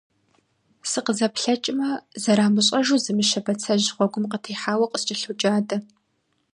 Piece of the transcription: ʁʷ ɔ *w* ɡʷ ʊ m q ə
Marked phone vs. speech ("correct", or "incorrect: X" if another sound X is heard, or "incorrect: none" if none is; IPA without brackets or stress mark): incorrect: none